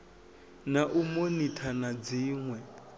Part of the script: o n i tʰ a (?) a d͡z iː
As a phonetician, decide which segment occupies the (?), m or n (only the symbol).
n